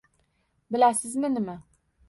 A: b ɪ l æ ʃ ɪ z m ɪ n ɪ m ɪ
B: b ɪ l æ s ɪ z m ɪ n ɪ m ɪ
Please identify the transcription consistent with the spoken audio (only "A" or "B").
B